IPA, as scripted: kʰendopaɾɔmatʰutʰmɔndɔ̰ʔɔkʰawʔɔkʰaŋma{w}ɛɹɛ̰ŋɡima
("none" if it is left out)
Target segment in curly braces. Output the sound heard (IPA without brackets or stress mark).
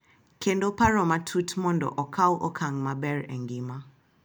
b